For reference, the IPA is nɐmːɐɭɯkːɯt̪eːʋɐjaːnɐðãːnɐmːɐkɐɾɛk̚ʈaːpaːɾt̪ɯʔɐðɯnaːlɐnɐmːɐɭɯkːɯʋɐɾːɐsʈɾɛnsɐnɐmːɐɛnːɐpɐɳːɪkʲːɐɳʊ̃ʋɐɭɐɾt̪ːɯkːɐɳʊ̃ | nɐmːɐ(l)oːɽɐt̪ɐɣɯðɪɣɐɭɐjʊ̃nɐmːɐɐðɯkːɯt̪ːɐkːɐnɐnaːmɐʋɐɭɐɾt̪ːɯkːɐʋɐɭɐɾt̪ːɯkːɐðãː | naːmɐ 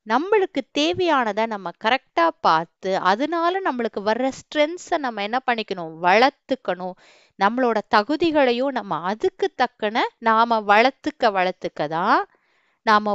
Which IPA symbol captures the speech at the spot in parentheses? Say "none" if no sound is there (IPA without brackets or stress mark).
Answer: ɭ